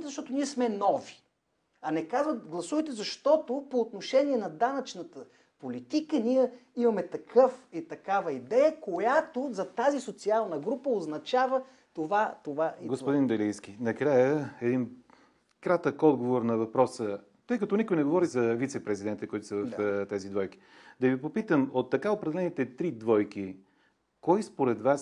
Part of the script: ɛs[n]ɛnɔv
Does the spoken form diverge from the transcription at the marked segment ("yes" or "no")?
yes